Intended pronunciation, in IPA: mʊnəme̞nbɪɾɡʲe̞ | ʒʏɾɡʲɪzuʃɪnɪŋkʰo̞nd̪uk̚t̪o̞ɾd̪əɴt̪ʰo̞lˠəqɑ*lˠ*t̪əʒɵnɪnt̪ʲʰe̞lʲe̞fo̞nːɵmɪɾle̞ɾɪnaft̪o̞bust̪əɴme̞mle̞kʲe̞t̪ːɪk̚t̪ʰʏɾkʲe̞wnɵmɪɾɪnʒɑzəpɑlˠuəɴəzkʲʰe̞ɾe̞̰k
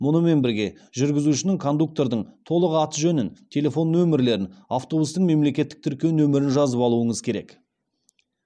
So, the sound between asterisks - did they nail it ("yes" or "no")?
no